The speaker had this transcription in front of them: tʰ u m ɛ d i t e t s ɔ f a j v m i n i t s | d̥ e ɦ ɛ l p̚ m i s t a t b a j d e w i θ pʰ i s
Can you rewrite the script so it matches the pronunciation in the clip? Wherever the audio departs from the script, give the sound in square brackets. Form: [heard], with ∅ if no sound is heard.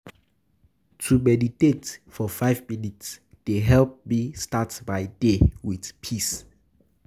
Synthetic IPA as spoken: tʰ u m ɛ d i t e t [f] ɔ f a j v m i n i t s | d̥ e ɦ ɛ l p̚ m i s t a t b a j d e w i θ pʰ i s

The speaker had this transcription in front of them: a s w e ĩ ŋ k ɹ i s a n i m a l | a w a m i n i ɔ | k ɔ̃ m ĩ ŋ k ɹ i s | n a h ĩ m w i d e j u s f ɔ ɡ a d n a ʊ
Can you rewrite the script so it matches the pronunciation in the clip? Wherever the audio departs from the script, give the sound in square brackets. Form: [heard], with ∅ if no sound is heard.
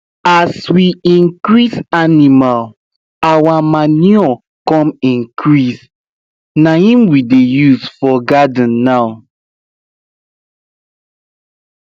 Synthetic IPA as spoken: a s w [i] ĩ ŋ k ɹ i s a n i m a l | a w a m [a] n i ɔ | k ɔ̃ m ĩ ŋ k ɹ i s | n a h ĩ m w i d e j u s f ɔ ɡ a d [nː] a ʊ

